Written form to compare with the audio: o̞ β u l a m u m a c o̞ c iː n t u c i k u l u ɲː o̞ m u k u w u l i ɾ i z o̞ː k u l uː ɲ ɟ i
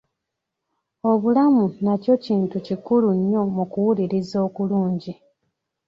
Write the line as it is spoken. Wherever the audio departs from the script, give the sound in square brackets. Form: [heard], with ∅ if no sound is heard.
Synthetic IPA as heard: o̞ β u l a m u [n] a c o̞ c iː n t u c i k u l u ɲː o̞ m u k u w u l i ɾ i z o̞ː k u l uː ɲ ɟ i

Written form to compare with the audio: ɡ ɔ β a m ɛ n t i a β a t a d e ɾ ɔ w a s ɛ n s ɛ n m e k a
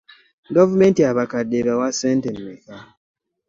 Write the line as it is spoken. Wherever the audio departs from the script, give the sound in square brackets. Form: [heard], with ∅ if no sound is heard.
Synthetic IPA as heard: ɡ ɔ [v] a m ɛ n t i a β a [k] a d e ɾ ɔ w a s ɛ n [t] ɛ n m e k a

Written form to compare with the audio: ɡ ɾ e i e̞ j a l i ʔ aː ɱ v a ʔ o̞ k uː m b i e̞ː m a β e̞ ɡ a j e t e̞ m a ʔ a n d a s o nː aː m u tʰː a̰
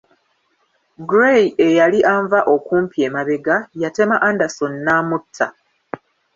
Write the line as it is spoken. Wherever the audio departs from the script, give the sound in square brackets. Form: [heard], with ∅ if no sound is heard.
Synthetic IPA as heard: ɡ ɾ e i e̞ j a l i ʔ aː ɱ v a ʔ o̞ k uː m [p] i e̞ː m a β e̞ ɡ a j [a] t e̞ m a ʔ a n d a s o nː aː m u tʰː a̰

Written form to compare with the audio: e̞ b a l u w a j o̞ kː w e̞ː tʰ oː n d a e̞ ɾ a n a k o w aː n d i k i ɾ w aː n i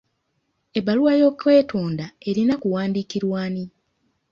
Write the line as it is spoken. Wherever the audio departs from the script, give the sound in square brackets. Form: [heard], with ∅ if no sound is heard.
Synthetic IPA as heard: e̞ b a l u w a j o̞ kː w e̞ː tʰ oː n d a e̞ ɾ [i] n a k [u] w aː n d i k i ɾ w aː n i

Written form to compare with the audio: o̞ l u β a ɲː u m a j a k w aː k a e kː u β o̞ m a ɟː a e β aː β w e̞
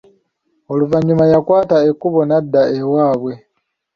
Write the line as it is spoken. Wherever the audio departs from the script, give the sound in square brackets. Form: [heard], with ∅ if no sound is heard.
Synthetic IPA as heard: o̞ l u [v] a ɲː u m a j a k w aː [t] a e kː u β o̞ [n] a [dː] a e [w] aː β w e̞

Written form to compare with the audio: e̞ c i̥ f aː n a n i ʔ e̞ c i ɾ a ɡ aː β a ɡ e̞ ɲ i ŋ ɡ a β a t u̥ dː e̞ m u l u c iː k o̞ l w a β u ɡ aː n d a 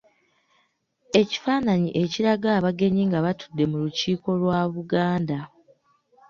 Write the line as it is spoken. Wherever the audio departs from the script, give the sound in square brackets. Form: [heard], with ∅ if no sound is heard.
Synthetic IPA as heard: e̞ c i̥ f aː n a [ɲ] i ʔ e̞ c i ɾ a ɡ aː β a ɡ e̞ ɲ i ŋ ɡ a β a t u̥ dː e̞ m u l u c iː k o̞ l w a β u ɡ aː n d a

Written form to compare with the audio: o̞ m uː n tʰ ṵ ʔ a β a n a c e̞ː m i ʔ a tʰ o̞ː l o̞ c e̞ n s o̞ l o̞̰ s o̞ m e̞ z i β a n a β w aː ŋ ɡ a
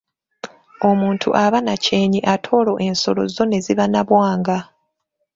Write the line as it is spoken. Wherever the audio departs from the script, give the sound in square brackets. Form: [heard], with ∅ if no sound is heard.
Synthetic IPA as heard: o̞ m uː n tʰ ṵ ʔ a β a n a c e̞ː [ɲ] i ʔ a tʰ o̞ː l o̞ [ʔ] e̞ n s o̞ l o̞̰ [z] o̞ [n] e̞ z i β a n a β w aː ŋ ɡ a

